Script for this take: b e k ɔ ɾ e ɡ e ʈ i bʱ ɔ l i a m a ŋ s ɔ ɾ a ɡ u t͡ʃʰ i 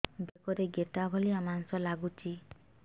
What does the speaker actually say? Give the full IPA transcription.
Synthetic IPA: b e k ɔ ɾ e ɡ e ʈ a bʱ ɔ l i a m a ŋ s ɔ l a ɡ u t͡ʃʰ i